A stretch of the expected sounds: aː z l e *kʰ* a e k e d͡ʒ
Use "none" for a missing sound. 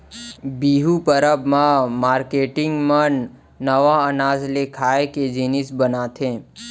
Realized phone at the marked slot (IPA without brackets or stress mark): kʰ